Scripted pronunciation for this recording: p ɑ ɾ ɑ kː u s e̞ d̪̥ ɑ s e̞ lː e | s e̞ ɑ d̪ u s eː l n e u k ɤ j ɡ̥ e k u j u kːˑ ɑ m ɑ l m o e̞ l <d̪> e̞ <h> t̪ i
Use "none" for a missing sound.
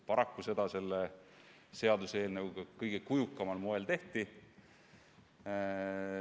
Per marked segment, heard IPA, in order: t̪, h

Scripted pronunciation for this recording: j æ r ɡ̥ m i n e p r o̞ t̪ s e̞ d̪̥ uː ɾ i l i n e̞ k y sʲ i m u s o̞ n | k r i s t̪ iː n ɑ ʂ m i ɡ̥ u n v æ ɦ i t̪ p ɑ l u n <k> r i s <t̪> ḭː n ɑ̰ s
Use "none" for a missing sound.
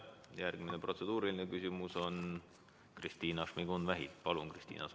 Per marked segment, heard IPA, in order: k, t̪

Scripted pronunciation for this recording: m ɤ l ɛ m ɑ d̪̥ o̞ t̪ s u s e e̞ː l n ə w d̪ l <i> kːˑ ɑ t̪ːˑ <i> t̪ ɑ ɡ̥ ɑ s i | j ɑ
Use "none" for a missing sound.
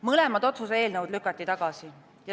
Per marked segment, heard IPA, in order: y, i

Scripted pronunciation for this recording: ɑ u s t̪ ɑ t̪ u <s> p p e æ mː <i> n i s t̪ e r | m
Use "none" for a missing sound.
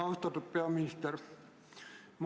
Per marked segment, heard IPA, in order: none, i

